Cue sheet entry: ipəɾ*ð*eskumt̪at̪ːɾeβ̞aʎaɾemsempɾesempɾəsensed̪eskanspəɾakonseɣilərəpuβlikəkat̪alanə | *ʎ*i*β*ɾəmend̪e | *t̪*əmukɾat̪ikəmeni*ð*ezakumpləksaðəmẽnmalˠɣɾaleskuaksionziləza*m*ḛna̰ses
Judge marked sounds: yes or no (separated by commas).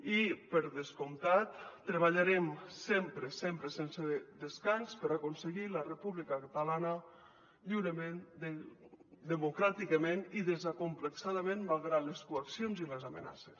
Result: yes, yes, no, no, yes, yes